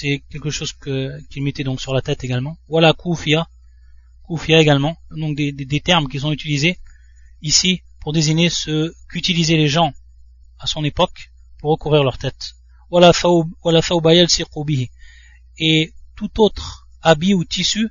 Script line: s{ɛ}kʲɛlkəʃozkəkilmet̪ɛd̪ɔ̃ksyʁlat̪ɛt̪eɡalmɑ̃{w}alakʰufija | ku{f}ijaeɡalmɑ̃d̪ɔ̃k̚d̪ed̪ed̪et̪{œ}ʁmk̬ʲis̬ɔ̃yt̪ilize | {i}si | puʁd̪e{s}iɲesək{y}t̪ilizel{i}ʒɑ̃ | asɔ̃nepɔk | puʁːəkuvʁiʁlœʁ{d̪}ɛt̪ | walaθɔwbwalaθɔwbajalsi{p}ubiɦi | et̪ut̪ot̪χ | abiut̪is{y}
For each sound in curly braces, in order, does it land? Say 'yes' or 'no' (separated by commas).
yes, yes, yes, no, yes, no, yes, no, no, no, yes